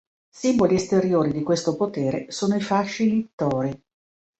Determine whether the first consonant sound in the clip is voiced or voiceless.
voiceless